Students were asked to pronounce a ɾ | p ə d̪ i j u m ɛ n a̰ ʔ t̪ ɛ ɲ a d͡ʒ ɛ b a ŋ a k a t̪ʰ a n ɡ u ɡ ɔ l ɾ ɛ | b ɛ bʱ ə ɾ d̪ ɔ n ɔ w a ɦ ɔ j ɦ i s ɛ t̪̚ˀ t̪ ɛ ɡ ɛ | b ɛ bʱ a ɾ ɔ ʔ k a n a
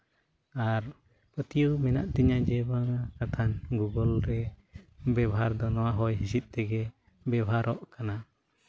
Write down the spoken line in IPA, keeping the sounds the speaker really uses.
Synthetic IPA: a ɾ | p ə t̪ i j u m ɛ n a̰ ʔ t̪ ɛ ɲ a d͡ʒ ɛ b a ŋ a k a t̪ʰ a n ɡ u ɡ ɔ l ɾ ɛ | b ɛ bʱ a ɾ d̪ ɔ n ɔ w a ɦ ɔ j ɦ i s i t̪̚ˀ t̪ ɛ ɡ ɛ | b ɛ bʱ a ɾ ɔ ʔ k a n a